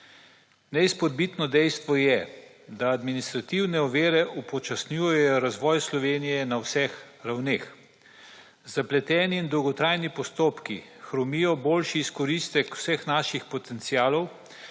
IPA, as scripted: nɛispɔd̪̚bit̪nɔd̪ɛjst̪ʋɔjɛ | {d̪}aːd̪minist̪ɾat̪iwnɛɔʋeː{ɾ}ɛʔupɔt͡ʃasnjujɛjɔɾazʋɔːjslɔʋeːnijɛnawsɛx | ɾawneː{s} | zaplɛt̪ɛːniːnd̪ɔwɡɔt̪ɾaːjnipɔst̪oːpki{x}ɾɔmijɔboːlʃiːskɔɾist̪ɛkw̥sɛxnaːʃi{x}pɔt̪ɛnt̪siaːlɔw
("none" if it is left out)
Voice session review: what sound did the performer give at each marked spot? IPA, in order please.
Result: d̪, ɾ, x, x, x

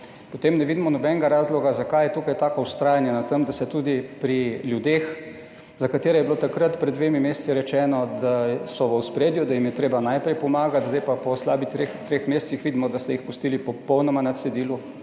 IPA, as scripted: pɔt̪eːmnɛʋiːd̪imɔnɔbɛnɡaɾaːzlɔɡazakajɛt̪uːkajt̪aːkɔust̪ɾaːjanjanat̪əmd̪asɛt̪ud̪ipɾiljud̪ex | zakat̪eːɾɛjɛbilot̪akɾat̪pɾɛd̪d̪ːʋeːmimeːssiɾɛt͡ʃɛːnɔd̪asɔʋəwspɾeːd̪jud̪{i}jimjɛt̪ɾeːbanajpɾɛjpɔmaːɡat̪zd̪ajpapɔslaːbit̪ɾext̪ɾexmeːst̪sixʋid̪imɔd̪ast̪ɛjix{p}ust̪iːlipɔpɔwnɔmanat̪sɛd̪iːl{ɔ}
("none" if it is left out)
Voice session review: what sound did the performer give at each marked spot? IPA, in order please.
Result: a, p, u

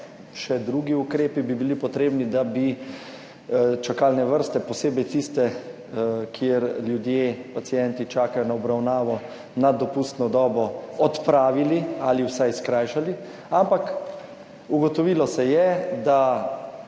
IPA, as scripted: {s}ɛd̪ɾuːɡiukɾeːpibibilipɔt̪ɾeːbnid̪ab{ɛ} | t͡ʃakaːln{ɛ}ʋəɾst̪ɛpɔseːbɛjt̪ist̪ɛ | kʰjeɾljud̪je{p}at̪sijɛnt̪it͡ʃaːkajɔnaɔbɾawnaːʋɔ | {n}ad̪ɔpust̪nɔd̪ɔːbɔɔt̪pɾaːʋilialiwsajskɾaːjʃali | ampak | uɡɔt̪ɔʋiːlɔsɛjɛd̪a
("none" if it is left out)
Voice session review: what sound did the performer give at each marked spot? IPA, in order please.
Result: ʃ, i, ɛ, p, n

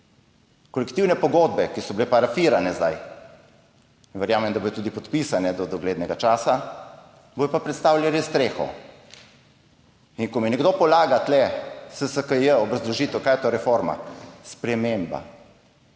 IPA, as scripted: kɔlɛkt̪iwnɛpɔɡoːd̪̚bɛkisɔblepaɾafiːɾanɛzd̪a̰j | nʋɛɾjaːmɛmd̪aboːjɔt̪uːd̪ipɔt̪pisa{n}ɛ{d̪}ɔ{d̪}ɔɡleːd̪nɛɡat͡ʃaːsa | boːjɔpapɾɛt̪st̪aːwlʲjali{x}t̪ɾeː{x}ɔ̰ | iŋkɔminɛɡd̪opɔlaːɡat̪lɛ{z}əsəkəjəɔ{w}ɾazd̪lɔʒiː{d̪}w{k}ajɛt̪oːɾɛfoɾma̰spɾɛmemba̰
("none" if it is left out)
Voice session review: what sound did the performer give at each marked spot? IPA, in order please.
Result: n, d̪, d̪, s, x, s, b, t̪, k

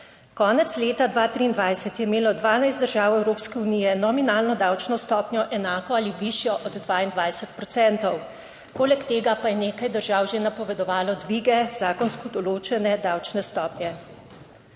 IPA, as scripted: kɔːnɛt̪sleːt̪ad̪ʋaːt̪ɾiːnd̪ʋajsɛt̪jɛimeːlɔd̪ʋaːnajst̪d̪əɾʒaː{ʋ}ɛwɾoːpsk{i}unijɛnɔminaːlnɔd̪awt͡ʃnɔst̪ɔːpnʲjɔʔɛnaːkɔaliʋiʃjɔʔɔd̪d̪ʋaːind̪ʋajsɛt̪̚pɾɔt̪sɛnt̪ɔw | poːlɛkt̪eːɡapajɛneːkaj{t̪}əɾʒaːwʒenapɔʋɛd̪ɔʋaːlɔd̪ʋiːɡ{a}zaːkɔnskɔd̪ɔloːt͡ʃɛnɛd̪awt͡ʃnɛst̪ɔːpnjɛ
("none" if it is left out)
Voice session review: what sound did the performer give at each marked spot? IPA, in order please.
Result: w, ɛ, d̪, ɛ

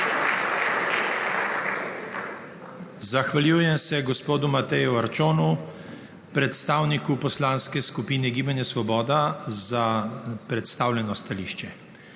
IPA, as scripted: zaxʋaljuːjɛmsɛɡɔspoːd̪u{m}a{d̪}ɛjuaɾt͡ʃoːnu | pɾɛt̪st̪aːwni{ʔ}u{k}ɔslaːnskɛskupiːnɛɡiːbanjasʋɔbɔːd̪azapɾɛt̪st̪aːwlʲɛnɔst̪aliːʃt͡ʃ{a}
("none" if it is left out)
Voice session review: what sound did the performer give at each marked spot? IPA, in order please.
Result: m, t̪, k, p, ɛ

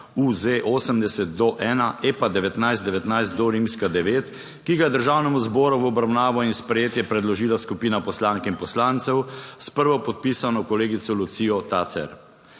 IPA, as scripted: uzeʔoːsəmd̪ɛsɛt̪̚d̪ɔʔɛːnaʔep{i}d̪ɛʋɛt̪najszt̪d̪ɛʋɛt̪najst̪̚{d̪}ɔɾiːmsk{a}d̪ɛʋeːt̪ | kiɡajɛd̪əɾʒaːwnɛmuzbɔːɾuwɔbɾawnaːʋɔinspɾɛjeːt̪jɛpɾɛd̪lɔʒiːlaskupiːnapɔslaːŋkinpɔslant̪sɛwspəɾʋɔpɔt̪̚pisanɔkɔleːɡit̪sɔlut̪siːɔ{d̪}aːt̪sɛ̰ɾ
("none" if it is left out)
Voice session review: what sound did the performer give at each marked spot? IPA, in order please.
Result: a, d̪, a, t̪

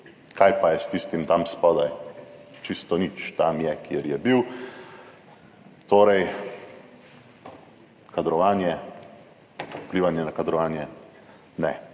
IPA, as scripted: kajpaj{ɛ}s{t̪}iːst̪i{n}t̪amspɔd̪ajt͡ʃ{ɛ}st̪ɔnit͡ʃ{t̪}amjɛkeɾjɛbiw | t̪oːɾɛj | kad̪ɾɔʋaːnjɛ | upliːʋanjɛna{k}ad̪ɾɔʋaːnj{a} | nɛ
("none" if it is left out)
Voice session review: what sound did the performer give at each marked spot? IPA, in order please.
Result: ɛ, t̪, m, i, t̪, k, ɛ

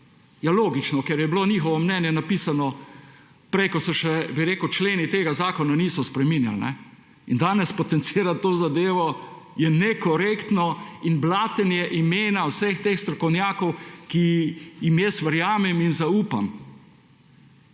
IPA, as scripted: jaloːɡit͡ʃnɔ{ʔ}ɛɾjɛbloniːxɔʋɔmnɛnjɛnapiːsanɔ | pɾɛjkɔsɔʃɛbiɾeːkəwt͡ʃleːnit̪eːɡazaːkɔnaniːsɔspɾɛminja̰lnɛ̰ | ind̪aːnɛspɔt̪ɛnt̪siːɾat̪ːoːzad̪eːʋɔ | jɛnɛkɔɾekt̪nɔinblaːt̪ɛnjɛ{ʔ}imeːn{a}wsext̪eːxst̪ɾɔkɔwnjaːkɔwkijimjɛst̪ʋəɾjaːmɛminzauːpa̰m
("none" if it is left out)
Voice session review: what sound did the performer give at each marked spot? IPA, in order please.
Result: k, ʔ, a

